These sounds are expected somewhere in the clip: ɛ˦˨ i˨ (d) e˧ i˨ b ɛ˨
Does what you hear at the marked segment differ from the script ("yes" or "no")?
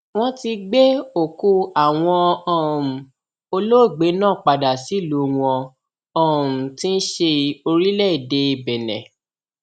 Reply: no